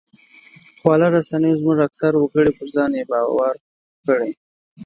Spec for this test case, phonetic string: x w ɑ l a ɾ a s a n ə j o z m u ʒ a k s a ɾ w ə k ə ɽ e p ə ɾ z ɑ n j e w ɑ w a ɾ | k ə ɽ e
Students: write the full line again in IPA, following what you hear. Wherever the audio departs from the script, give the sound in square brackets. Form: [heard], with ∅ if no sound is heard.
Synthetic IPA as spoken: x w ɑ l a ɾ a s a n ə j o z m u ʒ a k s a ɾ w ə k ə ɽ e p ə ɾ z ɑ n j e [b] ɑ w a ɾ | k ə ɽ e